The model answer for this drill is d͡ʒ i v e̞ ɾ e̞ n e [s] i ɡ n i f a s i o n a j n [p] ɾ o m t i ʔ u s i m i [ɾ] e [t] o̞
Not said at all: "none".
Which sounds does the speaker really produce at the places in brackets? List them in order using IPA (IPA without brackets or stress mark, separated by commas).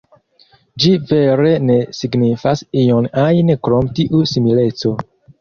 s, k, l, t͡s